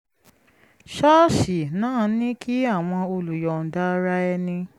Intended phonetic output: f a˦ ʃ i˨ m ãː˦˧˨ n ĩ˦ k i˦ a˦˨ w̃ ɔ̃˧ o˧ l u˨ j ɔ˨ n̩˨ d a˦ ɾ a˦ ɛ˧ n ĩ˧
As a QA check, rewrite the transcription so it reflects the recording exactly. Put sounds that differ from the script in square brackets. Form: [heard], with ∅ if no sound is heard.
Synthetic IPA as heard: [ʃ] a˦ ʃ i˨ [n] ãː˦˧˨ n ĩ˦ k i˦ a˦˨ w̃ ɔ̃˧ o˧ l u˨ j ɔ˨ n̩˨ d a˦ ɾ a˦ ɛ˧ n ĩ˧